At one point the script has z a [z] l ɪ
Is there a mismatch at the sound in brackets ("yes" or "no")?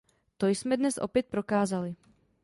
yes